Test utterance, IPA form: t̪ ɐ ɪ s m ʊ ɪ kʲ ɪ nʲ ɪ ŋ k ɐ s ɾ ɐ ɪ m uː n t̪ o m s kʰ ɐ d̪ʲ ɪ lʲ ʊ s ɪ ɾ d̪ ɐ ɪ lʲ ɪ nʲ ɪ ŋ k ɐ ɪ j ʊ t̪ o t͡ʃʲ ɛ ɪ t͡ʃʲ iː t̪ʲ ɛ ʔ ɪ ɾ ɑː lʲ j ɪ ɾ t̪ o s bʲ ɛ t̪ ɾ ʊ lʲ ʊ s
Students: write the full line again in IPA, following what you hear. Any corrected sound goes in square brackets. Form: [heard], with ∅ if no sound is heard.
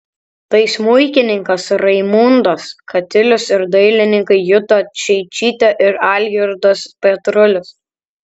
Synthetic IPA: t̪ ɐ ɪ s m ʊ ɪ kʲ ɪ nʲ ɪ ŋ k ɐ s ɾ ɐ ɪ m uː n [d̪] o [∅] s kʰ ɐ [t̪ʲ] ɪ lʲ ʊ s ɪ ɾ d̪ ɐ ɪ lʲ ɪ nʲ ɪ ŋ k ɐ ɪ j ʊ t̪ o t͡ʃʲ ɛ ɪ t͡ʃʲ iː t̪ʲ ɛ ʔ ɪ ɾ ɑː lʲ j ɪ ɾ [d̪] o s [pʲ] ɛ t̪ ɾ ʊ lʲ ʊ s

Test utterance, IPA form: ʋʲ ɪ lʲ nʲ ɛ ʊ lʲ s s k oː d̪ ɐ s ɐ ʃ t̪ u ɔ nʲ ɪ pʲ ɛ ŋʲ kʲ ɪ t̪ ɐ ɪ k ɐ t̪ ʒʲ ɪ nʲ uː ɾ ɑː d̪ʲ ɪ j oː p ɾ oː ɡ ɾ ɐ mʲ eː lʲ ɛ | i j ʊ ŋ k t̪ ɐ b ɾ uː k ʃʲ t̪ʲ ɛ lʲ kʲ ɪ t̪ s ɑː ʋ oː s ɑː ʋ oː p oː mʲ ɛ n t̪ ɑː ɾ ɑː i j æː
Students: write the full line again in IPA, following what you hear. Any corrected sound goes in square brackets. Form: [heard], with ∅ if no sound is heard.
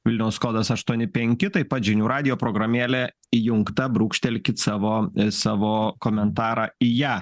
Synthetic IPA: ʋʲ ɪ lʲ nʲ ɛ ʊ [∅] s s k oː d̪ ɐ s ɐ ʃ t̪ u ɔ nʲ ɪ pʲ ɛ ŋʲ kʲ ɪ t̪ ɐ ɪ [p] ɐ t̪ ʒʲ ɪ nʲ uː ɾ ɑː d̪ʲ ɪ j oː p ɾ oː ɡ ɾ ɐ mʲ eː lʲ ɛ | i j ʊ ŋ k t̪ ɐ b ɾ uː k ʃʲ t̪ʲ ɛ lʲ kʲ ɪ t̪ s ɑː ʋ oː s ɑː ʋ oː [k] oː mʲ ɛ n t̪ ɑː ɾ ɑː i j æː

